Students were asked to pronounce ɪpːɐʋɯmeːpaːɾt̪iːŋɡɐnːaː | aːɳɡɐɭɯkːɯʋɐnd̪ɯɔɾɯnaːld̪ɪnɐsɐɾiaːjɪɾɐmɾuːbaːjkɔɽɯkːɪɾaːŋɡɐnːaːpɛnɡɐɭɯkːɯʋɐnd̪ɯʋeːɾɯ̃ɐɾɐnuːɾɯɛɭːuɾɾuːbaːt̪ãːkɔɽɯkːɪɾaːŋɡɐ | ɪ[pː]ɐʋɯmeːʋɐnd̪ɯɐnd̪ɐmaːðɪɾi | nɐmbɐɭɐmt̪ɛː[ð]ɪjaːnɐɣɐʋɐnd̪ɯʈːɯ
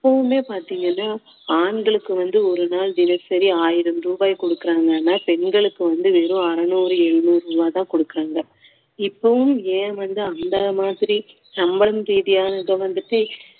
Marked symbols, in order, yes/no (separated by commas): yes, yes